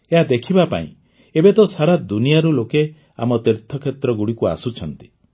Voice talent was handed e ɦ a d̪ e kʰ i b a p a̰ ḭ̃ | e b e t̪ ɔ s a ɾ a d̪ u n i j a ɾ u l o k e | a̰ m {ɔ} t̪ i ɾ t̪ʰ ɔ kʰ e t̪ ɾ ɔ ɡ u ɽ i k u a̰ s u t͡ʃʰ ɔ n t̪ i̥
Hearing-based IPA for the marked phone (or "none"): ɔ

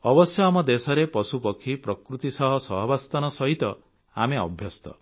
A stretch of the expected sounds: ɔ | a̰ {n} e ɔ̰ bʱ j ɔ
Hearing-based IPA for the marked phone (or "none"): m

